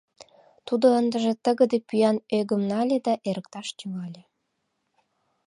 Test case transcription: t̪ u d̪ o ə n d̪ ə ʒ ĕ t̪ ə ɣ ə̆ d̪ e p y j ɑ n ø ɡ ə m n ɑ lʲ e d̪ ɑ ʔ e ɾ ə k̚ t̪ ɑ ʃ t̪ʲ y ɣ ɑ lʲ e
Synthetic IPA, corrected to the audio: t̪ u d̪ o ə n d̪ ə ʒ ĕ t̪ ə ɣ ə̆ d̪ e p y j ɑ n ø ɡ ə m n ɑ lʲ e d̪ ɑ ʔ e ɾ ə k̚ t̪ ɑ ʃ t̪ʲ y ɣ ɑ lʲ e